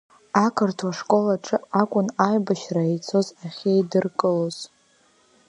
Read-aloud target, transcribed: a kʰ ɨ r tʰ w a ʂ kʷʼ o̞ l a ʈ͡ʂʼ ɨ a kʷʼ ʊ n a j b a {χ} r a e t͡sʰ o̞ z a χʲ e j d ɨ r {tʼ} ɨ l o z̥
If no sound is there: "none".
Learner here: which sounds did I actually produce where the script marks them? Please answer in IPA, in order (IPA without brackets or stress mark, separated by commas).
ʃ, kʼ